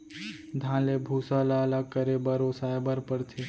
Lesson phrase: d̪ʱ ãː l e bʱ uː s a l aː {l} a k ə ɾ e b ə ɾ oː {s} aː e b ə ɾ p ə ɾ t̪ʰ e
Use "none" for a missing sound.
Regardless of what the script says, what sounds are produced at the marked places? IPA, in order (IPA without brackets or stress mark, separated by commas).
l, s